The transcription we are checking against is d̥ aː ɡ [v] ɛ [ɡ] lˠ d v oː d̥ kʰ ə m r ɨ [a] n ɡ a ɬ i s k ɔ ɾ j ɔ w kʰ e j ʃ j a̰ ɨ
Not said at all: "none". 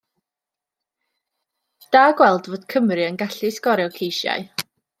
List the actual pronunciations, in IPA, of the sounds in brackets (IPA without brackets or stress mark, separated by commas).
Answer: w, none, ə